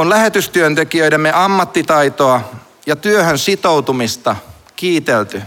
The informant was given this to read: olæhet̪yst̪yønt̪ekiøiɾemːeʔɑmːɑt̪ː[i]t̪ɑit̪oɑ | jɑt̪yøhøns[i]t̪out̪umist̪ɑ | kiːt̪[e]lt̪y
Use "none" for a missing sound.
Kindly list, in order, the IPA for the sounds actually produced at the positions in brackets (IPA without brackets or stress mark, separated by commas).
i, i, e